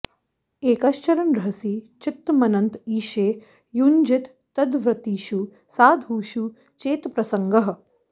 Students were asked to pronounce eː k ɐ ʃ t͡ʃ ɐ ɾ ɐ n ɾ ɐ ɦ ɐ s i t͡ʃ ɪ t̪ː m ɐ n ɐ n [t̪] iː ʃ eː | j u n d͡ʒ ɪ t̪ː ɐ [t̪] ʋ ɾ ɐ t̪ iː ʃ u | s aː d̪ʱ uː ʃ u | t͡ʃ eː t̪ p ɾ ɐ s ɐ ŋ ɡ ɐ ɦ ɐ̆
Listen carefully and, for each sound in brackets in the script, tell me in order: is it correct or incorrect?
correct, incorrect: d̪

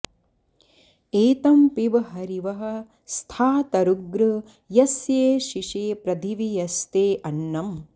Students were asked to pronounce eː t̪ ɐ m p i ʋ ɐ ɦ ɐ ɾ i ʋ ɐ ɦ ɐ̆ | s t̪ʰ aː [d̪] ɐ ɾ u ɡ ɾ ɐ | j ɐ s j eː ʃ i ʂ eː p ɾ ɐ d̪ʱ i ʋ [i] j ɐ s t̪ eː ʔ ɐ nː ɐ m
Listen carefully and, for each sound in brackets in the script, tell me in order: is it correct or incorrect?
incorrect: t̪, correct

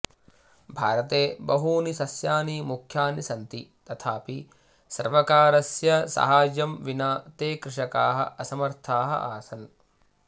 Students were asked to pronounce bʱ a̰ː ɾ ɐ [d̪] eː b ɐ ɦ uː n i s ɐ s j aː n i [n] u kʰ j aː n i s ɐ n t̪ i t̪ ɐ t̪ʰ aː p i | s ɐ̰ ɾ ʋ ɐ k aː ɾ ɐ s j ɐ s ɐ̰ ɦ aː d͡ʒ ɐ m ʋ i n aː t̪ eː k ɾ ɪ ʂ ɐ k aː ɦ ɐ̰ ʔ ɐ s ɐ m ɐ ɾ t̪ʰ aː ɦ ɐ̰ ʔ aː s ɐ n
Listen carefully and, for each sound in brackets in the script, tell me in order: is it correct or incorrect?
incorrect: t̪, incorrect: m

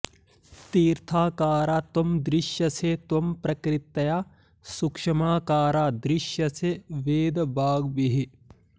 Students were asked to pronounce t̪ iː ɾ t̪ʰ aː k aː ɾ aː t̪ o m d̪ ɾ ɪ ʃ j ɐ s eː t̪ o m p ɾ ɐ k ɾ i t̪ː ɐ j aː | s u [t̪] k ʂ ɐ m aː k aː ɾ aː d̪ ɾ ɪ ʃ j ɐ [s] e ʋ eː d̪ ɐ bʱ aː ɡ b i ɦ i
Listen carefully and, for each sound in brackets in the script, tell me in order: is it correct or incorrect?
incorrect: none, correct

